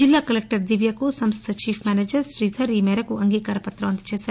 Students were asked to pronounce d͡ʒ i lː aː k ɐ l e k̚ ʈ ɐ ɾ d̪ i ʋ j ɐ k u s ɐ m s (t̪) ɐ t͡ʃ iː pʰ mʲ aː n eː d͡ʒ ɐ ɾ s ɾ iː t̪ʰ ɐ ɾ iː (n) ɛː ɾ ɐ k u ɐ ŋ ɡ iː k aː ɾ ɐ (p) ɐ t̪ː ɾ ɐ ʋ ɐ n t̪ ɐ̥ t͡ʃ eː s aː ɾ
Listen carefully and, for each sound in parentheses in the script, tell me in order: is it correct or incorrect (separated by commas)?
incorrect, incorrect, correct